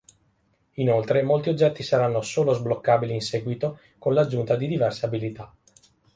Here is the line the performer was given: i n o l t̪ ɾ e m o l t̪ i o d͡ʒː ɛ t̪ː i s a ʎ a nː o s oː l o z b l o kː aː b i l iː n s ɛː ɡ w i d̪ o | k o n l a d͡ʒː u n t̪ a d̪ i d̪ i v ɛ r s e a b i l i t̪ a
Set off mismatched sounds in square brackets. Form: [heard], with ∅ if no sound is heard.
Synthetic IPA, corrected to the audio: i n o l t̪ ɾ e m o l t̪ i o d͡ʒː ɛ t̪ː i s a [ɾ] a nː o s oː l o z b l o kː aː b i l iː n s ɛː ɡ w i [t̪] o | k o n l a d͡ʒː u n t̪ a d̪ i d̪ i v ɛ r s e a b i l i t̪ a